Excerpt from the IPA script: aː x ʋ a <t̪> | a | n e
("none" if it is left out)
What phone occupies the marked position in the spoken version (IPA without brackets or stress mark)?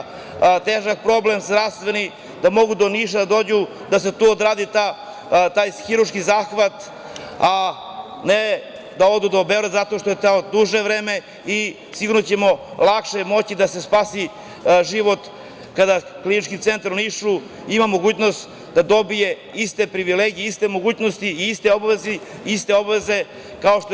t̪